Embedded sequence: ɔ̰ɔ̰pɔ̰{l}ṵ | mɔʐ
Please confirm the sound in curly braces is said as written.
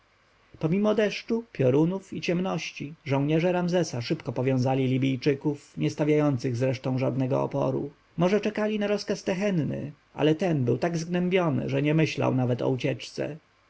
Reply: no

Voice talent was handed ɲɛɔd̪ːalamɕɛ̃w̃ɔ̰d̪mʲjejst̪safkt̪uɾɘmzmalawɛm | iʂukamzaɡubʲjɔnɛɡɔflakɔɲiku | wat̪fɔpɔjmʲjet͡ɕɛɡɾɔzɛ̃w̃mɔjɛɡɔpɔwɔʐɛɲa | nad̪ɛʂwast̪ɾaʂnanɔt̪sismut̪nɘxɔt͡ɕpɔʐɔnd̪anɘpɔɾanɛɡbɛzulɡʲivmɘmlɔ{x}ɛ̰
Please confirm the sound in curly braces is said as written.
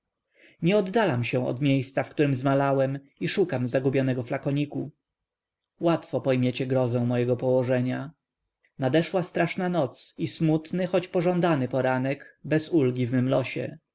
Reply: no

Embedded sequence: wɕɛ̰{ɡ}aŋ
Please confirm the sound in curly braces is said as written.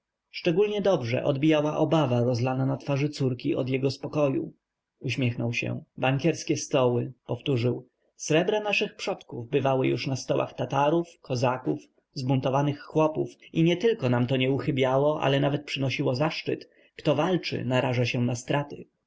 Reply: no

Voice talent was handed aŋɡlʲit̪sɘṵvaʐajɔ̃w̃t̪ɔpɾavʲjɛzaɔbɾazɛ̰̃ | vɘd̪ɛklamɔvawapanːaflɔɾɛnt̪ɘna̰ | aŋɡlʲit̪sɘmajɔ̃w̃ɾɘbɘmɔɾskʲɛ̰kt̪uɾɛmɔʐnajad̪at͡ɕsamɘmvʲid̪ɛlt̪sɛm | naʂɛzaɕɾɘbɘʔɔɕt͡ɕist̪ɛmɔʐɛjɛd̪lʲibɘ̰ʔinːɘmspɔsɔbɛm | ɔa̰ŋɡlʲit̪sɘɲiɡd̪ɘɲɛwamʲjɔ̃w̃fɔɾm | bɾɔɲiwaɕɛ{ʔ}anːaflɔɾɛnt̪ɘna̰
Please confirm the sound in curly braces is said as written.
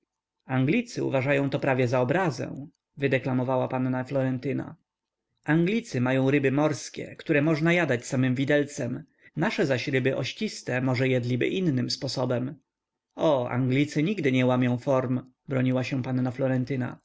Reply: no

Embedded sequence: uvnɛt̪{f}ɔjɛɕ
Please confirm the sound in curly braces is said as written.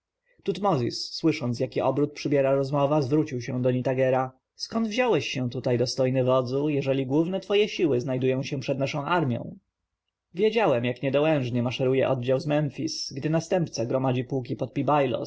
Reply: yes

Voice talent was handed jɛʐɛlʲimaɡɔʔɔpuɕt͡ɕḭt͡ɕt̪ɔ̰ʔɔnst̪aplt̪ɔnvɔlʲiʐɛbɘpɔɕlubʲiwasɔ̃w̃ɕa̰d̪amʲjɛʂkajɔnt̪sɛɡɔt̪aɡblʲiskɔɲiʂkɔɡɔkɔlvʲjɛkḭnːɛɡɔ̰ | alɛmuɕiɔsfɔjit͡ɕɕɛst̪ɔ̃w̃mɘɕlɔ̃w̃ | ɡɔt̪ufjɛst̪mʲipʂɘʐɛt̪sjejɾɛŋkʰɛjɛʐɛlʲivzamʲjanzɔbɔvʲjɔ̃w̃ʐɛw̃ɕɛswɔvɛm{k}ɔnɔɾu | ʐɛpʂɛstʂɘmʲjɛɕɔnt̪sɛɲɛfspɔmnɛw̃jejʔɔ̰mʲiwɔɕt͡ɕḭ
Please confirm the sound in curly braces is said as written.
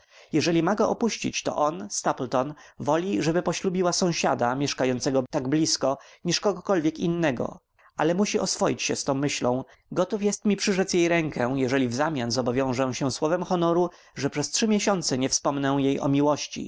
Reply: no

